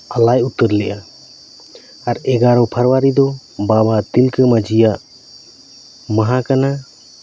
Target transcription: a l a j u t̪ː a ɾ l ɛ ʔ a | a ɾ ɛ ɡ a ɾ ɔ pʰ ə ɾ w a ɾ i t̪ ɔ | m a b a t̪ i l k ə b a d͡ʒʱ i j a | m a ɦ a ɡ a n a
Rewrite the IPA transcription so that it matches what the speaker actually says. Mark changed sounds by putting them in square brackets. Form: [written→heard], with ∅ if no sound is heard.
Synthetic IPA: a l a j u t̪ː [a→ə] ɾ l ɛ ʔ a | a ɾ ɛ ɡ a ɾ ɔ pʰ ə ɾ w a ɾ i [t̪→d̪] ɔ | [m→b] a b a t̪ i l k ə [b→m] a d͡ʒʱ i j a | m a ɦ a [ɡ→k] a n a